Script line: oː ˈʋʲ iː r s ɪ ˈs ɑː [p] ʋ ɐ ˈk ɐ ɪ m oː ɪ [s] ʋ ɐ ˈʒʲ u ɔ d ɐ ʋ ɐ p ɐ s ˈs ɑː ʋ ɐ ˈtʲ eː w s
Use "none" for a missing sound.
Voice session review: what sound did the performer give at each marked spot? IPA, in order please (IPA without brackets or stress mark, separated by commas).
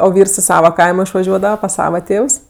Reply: none, ʃ